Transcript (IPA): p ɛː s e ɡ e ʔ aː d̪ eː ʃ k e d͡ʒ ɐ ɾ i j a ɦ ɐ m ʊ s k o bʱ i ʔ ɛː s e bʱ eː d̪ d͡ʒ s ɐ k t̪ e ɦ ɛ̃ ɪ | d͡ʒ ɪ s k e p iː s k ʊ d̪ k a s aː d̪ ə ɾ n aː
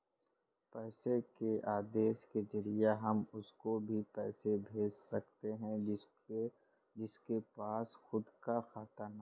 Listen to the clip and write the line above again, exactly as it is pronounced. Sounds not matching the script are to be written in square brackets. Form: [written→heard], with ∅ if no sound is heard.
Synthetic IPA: p ɛː s e [ɡ→k] e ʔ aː d̪ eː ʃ k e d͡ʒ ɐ ɾ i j a ɦ ɐ m ʊ s k o bʱ i [ʔ→p] ɛː s e bʱ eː [d̪→∅] d͡ʒ s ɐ k t̪ e ɦ ɛ̃ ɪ | d͡ʒ ɪ s k e p [iː→aː] s [k→x] ʊ d̪ k a [s→x] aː [d̪→t̪] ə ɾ n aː